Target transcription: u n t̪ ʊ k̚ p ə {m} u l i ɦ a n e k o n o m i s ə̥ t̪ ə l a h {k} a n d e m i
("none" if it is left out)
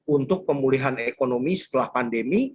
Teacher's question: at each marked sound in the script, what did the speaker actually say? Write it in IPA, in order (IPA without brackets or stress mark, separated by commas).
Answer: m, p